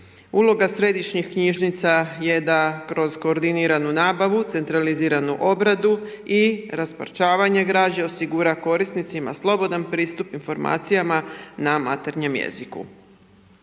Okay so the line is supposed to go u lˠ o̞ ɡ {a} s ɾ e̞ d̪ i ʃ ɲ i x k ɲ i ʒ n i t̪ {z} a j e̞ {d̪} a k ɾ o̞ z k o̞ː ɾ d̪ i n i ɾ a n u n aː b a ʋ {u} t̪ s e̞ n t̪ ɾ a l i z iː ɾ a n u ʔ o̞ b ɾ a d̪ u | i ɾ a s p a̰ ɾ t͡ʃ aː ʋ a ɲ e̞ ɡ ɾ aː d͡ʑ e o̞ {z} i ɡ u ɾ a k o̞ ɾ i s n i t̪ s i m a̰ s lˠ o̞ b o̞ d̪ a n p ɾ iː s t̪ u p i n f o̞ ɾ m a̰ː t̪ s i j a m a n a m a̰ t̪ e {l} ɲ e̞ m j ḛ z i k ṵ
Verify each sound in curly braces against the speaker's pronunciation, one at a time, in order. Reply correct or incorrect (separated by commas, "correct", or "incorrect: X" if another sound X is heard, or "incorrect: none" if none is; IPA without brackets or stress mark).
correct, incorrect: s, correct, correct, incorrect: s, incorrect: ɾ